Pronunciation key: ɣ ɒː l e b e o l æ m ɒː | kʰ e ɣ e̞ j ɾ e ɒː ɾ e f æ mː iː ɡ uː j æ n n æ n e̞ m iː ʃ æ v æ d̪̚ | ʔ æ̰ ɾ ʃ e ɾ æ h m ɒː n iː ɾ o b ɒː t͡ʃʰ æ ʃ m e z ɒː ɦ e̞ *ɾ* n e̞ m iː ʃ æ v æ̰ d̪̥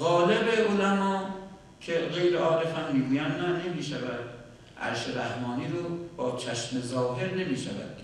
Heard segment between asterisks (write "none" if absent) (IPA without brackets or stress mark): ɾ